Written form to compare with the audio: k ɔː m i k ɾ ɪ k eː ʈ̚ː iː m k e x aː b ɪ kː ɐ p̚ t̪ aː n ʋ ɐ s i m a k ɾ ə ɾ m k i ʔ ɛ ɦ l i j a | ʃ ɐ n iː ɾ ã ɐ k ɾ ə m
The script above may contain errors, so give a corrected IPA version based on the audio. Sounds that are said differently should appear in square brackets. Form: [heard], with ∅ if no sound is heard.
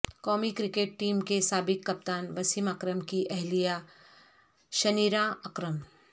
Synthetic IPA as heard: k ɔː m i k ɾ ɪ k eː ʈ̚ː iː m k e [s] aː b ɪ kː ɐ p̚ t̪ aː n ʋ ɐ s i m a k ɾ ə [∅] m k i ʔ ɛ ɦ l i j a | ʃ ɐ n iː ɾ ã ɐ k ɾ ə m